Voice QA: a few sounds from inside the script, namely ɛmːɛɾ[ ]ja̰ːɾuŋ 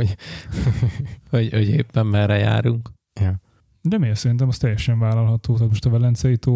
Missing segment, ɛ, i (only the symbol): ɛ